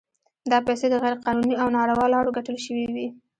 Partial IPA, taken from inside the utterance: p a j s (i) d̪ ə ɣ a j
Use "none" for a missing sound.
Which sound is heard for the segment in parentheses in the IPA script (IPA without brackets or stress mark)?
e